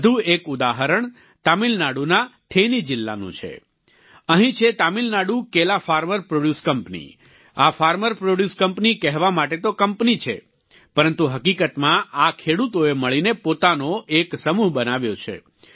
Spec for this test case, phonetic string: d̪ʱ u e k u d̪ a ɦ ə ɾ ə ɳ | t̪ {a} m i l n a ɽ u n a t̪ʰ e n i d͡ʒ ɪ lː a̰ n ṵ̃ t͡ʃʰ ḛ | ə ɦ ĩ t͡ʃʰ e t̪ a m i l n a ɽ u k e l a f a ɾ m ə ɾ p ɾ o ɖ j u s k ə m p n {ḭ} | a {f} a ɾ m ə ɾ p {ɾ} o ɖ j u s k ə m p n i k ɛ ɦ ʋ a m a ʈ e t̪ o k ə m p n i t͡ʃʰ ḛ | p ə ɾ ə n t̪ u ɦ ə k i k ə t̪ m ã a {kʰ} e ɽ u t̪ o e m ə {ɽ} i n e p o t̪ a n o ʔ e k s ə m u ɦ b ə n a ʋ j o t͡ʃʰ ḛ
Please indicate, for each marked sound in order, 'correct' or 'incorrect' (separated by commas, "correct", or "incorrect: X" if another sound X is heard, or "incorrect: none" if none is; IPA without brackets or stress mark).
correct, correct, correct, correct, correct, incorrect: ɭ